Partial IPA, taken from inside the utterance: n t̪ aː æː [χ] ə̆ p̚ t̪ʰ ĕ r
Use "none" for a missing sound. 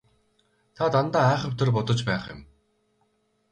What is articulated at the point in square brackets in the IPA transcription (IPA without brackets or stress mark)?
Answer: χ